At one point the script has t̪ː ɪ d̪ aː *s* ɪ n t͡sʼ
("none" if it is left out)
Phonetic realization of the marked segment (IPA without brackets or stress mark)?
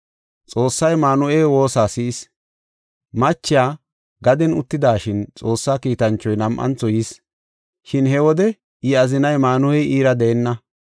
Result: ʃ